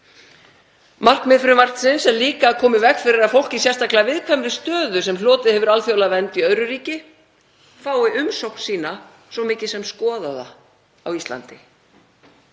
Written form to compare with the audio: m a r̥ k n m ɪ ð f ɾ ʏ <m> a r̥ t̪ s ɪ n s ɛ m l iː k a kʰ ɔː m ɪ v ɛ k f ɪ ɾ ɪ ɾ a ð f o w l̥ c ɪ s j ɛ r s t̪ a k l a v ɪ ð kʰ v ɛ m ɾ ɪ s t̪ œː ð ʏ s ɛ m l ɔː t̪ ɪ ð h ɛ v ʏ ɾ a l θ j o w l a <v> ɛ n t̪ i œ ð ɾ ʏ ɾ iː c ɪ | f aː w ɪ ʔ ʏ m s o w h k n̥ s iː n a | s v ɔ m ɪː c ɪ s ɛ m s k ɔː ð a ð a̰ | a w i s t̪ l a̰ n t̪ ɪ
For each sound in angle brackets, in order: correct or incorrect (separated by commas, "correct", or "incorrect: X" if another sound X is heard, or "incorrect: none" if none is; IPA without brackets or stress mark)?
correct, correct